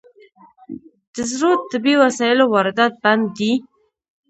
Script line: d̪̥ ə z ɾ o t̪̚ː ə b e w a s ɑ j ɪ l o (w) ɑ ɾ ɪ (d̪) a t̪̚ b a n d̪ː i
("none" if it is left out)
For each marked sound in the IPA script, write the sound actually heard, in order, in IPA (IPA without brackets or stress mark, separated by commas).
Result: w, d̪